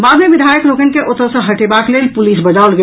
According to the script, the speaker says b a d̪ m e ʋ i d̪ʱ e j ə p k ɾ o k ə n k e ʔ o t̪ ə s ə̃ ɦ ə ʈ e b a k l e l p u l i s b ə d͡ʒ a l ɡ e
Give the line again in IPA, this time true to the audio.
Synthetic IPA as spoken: b a d̪ m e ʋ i d̪ʱ a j ə k ɾ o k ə n k e ʔ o t̪ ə s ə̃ ɦ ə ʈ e b a k l e l p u l i s b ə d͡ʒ a l ɡ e